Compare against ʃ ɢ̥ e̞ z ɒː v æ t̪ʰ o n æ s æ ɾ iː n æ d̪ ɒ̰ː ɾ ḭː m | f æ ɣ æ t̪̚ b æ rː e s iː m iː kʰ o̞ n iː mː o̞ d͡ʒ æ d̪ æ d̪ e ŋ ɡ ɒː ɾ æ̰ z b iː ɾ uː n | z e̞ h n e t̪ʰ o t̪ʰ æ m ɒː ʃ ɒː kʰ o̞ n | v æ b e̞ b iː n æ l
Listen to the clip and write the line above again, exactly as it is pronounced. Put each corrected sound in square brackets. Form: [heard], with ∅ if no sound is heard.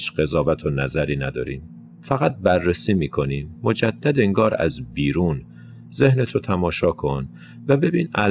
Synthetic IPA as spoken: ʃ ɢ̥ e̞ z ɒː v æ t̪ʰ o n æ [z] æ ɾ iː n æ d̪ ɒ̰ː ɾ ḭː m | f æ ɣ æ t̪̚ b æ rː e s iː m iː kʰ o̞ n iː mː o̞ d͡ʒ æ [d̪ː] æ d̪ e ŋ ɡ ɒː ɾ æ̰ z b iː ɾ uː n | z e̞ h n e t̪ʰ o t̪ʰ æ m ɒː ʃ ɒː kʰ o̞ n | v æ b e̞ b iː n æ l